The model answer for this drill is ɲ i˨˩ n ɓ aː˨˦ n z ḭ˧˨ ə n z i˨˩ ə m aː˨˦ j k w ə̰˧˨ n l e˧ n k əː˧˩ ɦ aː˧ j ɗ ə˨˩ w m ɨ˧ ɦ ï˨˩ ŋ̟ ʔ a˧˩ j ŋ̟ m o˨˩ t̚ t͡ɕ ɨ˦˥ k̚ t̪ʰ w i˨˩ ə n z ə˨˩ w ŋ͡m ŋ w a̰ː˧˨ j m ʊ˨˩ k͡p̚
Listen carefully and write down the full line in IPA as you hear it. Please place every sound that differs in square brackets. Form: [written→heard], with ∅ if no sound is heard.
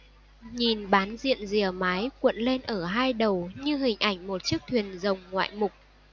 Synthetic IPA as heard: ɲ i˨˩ n ɓ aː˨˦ n z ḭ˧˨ ə n z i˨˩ ə m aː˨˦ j k w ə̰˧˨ n l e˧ n [k→ʔ] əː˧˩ ɦ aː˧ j ɗ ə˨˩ w [m→ɲ] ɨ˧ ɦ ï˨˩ ŋ̟ ʔ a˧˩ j ŋ̟ m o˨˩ t̚ t͡ɕ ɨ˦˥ k̚ t̪ʰ w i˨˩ ə n z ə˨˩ w ŋ͡m ŋ w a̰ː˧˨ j m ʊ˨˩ k͡p̚

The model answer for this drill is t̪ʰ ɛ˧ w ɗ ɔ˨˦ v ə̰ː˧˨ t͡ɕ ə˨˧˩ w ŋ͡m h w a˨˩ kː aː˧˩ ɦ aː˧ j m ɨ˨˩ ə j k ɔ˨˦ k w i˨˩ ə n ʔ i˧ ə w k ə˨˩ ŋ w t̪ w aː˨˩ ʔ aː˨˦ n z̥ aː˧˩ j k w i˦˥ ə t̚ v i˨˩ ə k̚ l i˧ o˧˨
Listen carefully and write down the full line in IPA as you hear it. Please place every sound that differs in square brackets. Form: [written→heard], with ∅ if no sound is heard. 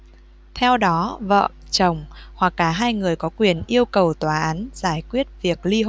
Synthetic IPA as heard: t̪ʰ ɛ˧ w ɗ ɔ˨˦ v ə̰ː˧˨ t͡ɕ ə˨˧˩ w ŋ͡m h w a˨˩ kː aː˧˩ ɦ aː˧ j [m→ŋ] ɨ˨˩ ə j k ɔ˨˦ k w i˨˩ ə n ʔ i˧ ə w k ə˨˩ [ŋ→∅] w t̪ w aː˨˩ ʔ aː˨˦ n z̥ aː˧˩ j k w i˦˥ ə t̚ v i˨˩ ə k̚ l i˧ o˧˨

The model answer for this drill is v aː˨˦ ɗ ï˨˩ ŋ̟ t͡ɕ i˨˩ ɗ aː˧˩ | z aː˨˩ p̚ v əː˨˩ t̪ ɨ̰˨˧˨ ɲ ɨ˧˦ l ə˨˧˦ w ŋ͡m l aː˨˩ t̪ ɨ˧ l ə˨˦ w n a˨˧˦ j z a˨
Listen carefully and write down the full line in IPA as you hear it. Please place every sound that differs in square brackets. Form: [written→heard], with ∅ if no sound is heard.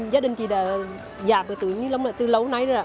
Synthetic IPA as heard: [v→z] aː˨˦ ɗ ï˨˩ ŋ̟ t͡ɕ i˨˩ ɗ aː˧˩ | z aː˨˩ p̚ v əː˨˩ t̪ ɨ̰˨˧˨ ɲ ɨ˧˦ l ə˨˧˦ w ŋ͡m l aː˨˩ t̪ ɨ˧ l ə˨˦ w n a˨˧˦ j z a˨

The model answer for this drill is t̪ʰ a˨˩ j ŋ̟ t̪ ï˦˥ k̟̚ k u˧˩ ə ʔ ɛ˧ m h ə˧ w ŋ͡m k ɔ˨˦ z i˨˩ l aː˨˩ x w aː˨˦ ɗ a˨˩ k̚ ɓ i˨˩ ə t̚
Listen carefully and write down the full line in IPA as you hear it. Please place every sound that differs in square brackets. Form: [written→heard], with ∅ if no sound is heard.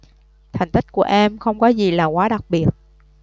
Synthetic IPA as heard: t̪ʰ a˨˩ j ŋ̟ t̪ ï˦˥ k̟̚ k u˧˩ ə ʔ ɛ˧ m [h→x] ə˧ w ŋ͡m k ɔ˨˦ z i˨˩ l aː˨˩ [x→k] w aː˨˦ ɗ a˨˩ k̚ ɓ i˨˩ ə t̚

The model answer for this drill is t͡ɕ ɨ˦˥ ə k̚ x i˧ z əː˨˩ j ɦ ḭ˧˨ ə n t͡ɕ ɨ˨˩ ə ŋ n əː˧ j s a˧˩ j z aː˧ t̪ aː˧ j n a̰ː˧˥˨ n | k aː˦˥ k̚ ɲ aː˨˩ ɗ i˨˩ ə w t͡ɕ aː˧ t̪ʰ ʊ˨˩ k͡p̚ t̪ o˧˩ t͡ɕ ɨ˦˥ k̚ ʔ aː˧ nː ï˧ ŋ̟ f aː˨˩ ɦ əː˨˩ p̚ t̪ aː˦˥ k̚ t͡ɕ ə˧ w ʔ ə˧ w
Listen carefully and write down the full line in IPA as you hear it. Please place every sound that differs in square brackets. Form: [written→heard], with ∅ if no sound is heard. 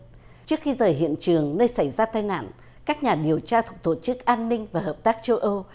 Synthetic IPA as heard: t͡ɕ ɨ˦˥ ə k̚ x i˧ z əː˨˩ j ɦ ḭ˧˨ ə n t͡ɕ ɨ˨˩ ə ŋ n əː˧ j s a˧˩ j z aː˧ t̪ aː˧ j n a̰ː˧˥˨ n | k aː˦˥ k̚ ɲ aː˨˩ ɗ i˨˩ ə w t͡ɕ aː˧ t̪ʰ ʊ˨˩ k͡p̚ t̪ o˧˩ t͡ɕ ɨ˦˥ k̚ ʔ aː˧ nː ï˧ ŋ̟ [f→v] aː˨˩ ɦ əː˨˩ p̚ t̪ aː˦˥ k̚ t͡ɕ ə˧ w ʔ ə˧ w

